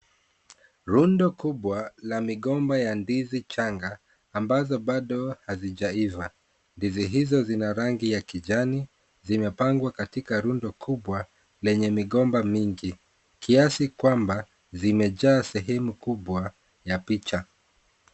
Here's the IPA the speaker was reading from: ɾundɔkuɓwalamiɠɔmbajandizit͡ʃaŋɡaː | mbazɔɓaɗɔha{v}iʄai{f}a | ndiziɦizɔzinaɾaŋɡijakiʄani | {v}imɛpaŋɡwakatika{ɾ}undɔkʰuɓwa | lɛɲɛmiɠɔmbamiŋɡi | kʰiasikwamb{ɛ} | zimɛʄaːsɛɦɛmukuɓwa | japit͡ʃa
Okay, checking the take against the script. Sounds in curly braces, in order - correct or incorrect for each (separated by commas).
incorrect, incorrect, incorrect, correct, incorrect